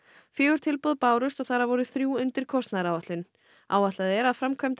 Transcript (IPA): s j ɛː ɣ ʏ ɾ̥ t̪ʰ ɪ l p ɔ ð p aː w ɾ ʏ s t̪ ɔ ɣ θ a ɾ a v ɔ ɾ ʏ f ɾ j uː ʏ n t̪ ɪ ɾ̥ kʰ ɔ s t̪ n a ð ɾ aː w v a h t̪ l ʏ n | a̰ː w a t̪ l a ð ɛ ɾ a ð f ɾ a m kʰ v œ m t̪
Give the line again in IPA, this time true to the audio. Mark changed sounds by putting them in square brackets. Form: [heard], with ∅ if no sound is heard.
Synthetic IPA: [f] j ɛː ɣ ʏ ɾ̥ t̪ʰ ɪ l p ɔ ð p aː w ɾ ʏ s t̪ ɔ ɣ θ a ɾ a v ɔ ɾ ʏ [θ] ɾ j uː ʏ n t̪ ɪ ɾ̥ kʰ ɔ s t̪ n a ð ɾ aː w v a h t̪ l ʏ n | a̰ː w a t̪ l a ð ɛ ɾ a ð f ɾ a m kʰ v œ m t̪

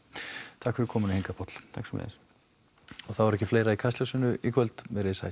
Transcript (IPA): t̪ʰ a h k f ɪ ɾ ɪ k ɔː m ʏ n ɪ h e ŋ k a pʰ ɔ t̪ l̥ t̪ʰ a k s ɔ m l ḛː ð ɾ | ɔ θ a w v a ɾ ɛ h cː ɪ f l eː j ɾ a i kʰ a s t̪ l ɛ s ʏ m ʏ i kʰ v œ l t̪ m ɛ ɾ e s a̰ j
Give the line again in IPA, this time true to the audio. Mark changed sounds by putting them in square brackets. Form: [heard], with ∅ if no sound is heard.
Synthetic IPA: t̪ʰ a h k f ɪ ɾ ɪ [kʰ] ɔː m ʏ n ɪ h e ŋ k a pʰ ɔ t̪ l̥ t̪ʰ a k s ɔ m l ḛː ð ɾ | ɔ θ a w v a ɾ ɛ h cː ɪ f l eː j ɾ a i kʰ a s t̪ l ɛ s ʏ [n] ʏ i kʰ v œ l t̪ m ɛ ɾ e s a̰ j

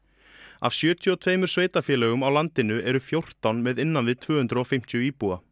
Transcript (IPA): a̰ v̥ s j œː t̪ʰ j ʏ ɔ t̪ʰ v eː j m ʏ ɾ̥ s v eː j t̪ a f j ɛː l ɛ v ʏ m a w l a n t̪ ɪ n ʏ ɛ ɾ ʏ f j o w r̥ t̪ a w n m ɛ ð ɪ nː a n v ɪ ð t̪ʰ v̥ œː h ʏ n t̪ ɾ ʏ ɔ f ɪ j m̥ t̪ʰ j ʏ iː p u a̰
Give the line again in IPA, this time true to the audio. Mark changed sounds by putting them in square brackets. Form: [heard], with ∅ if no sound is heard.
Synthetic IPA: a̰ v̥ s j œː t̪ʰ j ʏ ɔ t̪ʰ v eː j m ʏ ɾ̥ s v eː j t̪ a f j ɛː l ɛ [ɣ] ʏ m a w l a n t̪ ɪ n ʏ ɛ ɾ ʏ f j o w r̥ t̪ a w n m ɛ ð ɪ nː a n v ɪ ð t̪ʰ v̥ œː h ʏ n t̪ ɾ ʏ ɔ f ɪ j m̥ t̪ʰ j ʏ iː p u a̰

